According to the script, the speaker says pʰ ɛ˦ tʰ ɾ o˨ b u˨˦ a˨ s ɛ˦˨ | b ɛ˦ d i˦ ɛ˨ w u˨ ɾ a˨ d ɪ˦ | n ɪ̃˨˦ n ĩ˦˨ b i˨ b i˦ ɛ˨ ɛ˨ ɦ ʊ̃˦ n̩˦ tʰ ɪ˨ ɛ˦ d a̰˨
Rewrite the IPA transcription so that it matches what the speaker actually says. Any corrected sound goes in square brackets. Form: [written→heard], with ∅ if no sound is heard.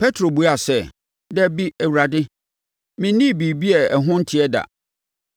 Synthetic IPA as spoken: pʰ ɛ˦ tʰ ɾ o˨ b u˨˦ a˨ s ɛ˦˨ | [b→d] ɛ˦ [d→b] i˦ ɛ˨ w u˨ ɾ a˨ d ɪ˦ | [n→m] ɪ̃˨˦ n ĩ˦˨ b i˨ b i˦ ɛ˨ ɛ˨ ɦ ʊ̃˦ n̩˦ tʰ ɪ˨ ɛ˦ d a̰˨

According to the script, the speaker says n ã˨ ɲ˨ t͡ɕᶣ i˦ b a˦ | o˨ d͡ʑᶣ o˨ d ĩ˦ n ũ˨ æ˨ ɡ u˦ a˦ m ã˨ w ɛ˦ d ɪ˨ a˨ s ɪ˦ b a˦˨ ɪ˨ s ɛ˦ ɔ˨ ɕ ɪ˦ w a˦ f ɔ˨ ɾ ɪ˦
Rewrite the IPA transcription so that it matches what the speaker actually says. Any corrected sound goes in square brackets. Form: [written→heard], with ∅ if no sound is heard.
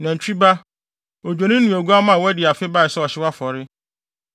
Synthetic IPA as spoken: n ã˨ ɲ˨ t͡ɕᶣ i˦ b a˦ | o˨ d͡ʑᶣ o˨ [d→n] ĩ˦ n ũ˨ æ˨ ɡ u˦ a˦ m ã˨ w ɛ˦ d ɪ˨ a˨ [s→f] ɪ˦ b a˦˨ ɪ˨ s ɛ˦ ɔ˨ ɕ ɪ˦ w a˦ f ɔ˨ ɾ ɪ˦

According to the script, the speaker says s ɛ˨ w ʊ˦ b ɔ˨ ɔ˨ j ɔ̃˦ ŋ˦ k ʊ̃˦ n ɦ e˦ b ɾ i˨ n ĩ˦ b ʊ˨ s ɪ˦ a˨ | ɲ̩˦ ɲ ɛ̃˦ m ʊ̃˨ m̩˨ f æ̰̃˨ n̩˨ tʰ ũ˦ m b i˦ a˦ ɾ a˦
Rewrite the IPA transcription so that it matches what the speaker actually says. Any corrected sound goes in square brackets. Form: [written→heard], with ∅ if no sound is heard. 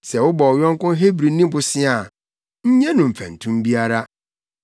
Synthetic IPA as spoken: s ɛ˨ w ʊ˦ b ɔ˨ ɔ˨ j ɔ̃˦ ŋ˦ k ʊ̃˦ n ɦ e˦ b ɾ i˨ n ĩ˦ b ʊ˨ s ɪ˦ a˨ | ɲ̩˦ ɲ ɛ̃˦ [m→n] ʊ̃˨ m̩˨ f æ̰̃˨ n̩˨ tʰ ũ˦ m b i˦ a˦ ɾ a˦

